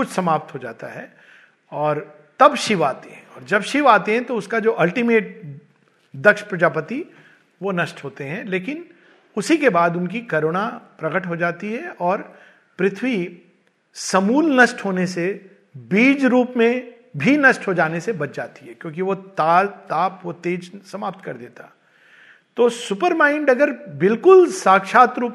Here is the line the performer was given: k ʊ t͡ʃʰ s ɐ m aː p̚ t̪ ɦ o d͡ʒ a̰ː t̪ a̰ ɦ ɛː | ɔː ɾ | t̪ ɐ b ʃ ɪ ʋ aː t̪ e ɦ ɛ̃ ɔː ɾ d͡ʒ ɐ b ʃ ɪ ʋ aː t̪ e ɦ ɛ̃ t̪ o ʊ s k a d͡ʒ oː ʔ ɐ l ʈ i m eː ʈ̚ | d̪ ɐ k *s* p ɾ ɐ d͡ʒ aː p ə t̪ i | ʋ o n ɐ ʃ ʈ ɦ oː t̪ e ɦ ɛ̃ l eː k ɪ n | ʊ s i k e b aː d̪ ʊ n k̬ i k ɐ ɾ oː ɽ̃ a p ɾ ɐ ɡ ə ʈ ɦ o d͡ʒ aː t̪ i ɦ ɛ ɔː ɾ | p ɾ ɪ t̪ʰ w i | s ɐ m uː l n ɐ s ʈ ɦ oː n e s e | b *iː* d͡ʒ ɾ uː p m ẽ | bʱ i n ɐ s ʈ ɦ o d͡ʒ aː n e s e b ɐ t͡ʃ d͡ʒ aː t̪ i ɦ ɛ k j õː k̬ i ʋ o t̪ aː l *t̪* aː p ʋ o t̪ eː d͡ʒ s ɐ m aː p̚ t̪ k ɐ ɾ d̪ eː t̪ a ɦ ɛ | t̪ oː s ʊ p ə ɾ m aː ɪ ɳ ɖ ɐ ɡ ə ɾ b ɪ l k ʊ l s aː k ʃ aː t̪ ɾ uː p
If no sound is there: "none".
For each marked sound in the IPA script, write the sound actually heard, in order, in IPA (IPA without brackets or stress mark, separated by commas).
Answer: ʃ, iː, t̪